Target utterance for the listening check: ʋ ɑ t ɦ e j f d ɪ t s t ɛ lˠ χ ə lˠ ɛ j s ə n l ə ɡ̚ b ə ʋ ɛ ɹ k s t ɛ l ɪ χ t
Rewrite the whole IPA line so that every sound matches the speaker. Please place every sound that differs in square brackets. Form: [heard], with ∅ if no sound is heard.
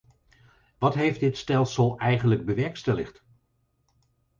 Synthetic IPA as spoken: ʋ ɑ t ɦ e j f d ɪ t s t ɛ lˠ [s] ə lˠ ɛ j [χ] ə n l ə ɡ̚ b ə ʋ ɛ ɹ k s t ɛ l ɪ χ t